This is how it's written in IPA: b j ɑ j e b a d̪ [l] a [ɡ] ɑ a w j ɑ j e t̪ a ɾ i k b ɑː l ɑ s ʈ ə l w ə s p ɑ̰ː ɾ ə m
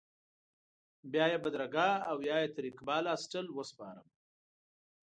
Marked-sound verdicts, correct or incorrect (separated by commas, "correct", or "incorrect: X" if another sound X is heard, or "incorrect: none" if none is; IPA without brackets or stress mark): incorrect: ɾ, correct